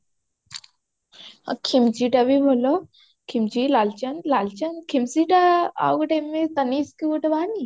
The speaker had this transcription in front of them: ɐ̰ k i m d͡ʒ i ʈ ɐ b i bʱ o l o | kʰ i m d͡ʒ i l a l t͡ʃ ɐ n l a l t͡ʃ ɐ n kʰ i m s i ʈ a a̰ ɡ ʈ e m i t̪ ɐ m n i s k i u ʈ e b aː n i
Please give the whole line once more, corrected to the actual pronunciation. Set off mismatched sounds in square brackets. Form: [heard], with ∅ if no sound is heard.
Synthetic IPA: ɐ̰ [kʰ] i m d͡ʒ i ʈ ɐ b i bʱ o l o | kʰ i m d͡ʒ i l a l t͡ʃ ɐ n l a l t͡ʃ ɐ n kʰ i m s i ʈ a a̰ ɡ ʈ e m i t̪ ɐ [∅] n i s k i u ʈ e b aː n i